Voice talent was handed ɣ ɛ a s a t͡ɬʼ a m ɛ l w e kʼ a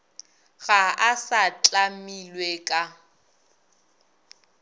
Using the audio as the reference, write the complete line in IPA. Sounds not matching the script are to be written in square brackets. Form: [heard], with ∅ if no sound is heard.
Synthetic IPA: ɣ [a] a s a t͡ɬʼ a m [i] l w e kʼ a